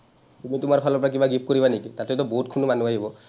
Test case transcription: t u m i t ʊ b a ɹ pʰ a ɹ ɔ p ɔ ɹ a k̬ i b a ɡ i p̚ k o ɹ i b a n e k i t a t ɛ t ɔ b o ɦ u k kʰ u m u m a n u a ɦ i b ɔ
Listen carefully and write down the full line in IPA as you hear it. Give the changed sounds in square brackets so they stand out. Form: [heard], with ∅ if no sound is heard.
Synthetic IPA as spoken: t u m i t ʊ [m] a ɹ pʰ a [l] ɔ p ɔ ɹ a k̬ i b a ɡ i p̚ k o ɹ i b a n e k i t a t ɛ t ɔ b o ɦ u [t] kʰ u [n] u m a n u a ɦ i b ɔ